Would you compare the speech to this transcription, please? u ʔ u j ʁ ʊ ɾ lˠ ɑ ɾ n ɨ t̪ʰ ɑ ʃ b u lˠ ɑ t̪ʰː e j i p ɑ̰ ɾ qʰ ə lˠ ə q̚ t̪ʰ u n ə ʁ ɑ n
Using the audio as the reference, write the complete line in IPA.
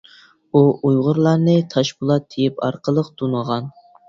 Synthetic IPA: u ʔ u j ʁ ʊ ɾ lˠ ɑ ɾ n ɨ t̪ʰ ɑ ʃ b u lˠ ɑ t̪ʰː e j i p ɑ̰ ɾ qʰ ə lˠ ə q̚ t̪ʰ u n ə ʁ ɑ n

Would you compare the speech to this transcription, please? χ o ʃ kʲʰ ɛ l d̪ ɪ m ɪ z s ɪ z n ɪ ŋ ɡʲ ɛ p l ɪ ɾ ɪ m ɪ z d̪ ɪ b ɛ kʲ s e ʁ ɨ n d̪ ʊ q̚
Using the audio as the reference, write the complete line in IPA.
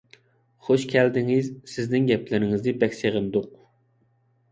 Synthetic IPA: χ o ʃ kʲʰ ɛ l d̪ ɪ ŋ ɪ z s ɪ z n ɪ ŋ ɡʲ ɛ p l ɪ ɾ ɪ ŋ ɪ z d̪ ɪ b ɛ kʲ s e ʁ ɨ n d̪ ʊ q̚

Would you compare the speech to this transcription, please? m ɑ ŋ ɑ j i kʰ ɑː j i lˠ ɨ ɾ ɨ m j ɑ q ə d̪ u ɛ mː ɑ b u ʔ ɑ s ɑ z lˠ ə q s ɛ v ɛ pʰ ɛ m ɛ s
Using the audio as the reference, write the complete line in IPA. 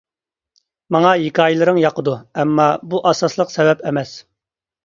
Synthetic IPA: m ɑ ŋ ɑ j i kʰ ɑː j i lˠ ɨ ɾ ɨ ŋ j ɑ q ə d̪ u ɛ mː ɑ b u ʔ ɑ s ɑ s lˠ ə q s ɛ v ɛ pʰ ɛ m ɛ s

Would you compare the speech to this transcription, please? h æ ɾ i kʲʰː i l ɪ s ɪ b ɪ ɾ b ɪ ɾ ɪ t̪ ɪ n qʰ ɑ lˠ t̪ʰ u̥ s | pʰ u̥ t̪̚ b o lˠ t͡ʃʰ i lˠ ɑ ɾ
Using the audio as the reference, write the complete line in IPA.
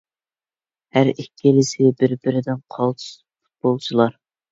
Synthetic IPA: h æ ɾ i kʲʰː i l ɪ s ɪ b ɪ ɾ b ɪ ɾ ɪ d̪ ɪ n qʰ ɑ lˠ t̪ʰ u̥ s | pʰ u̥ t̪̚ b o lˠ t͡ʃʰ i lˠ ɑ ɾ

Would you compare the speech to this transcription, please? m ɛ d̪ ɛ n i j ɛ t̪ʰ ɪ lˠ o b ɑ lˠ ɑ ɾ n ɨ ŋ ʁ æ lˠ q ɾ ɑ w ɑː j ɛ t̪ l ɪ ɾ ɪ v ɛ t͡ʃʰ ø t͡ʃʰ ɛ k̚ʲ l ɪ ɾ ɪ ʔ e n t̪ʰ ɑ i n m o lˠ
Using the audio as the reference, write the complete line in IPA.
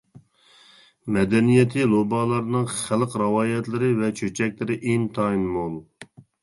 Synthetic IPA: m ɛ d̪ ɛ n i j ɛ t̪ʰ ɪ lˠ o b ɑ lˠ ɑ ɾ n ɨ ŋ χ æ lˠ q ɾ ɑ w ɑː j ɛ t̪ l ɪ ɾ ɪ v ɛ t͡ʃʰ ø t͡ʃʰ ɛ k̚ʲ l ɪ ɾ ɪ ʔ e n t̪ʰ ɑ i n m o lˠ

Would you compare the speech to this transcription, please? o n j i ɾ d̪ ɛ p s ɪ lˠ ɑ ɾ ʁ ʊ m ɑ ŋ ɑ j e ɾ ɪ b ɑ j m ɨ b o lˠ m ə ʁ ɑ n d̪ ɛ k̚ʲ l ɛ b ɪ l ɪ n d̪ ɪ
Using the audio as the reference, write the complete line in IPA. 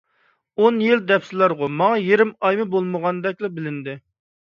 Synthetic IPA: o n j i l d̪ ɛ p s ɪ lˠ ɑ ɾ ʁ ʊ m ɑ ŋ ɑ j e ɾ ɪ m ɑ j m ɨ b o lˠ m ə ʁ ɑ n d̪ ɛ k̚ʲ l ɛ b ɪ l ɪ n d̪ ɪ

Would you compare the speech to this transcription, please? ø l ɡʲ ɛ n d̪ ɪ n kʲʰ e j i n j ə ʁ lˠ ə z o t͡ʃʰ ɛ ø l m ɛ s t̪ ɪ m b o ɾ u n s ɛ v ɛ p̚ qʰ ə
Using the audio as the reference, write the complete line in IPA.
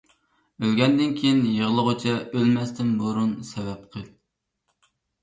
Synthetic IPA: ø l ɡʲ ɛ n d̪ ɪ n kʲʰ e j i n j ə ʁ lˠ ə ʁ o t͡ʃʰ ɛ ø l m ɛ s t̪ ɪ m b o ɾ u n s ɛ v ɛ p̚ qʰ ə

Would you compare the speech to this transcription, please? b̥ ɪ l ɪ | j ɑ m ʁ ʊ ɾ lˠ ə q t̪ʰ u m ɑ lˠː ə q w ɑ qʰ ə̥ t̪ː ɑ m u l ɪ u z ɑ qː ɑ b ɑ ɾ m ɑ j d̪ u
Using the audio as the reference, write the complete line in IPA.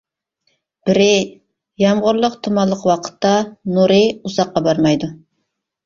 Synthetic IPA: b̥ ɪ ɾ ɪ | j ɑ m ʁ ʊ ɾ lˠ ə q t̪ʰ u m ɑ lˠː ə q w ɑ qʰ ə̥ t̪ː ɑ n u ɾ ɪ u z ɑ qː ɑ b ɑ ɾ m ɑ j d̪ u

